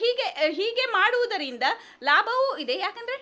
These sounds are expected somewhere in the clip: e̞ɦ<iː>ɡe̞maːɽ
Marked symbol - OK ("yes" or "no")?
yes